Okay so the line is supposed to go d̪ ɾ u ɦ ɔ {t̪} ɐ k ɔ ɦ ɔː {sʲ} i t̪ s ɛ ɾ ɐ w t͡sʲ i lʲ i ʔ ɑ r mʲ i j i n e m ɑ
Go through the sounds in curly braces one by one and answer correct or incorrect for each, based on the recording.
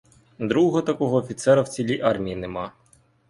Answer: correct, incorrect: fʲ

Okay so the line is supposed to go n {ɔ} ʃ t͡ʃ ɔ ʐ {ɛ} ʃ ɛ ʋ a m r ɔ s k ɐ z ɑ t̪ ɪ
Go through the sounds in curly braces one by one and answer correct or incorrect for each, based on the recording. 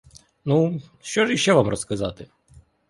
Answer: incorrect: u, incorrect: i

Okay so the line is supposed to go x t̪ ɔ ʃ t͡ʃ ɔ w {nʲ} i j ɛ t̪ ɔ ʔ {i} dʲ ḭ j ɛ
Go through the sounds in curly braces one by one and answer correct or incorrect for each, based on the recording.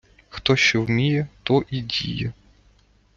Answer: incorrect: mʲ, correct

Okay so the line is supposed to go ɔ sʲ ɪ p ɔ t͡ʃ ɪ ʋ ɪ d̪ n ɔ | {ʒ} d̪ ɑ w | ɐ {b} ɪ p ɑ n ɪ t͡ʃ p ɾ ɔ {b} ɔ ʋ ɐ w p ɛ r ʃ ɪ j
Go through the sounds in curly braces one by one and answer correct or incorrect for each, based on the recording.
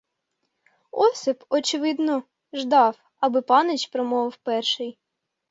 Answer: correct, correct, incorrect: m

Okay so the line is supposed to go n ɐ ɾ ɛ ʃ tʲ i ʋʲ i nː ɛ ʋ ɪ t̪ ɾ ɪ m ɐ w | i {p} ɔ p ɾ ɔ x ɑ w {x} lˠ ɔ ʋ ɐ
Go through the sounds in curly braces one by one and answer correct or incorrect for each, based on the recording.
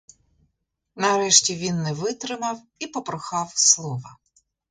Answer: correct, incorrect: s

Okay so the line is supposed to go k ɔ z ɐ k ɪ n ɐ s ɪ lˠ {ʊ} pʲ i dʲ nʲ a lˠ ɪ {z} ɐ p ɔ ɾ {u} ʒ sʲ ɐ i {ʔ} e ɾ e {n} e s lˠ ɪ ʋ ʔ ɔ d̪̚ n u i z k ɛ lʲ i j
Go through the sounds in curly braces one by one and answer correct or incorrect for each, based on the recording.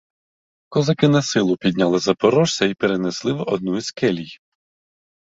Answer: correct, correct, incorrect: ɔ, incorrect: p, correct

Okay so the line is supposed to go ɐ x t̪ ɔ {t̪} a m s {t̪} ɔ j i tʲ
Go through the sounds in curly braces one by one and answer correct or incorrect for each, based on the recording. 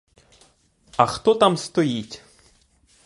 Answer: correct, correct

